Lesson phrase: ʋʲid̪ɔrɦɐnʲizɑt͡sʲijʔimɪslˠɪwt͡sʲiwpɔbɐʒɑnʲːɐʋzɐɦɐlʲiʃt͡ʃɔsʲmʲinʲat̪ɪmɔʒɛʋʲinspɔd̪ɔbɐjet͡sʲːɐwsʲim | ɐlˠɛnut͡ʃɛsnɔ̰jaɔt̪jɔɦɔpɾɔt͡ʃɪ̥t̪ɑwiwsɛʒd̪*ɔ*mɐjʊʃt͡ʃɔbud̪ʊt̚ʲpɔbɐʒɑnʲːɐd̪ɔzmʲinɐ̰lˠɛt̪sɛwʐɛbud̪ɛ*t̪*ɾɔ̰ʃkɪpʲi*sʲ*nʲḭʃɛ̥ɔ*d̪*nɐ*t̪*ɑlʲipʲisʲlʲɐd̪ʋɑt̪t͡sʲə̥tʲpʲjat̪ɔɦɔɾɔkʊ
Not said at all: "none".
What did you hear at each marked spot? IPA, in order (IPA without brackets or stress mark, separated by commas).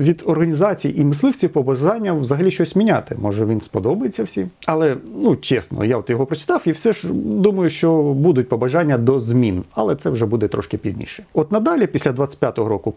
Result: u, t̪, zʲ, t̪, d̪